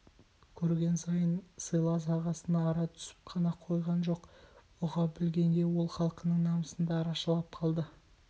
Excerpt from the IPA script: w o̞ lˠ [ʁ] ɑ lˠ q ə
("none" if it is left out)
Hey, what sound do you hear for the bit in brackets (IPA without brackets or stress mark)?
χ